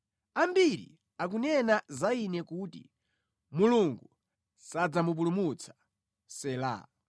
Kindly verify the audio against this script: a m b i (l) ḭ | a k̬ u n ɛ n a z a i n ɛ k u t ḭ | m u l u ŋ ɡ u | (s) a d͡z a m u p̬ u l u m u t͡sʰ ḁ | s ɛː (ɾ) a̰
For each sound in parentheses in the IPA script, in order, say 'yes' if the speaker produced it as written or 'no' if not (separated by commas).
no, yes, no